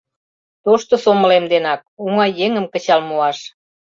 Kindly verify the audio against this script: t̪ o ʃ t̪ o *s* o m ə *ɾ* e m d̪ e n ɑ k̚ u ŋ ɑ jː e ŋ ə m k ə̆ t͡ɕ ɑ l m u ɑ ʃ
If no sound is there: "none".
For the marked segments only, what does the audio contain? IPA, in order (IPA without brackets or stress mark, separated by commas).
s, l